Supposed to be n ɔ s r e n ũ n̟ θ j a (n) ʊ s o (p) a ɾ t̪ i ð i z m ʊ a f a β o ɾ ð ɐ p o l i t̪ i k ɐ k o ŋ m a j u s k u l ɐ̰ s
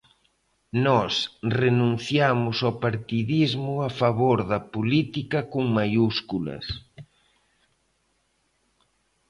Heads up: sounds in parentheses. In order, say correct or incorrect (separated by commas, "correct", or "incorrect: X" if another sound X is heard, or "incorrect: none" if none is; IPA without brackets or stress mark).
incorrect: m, correct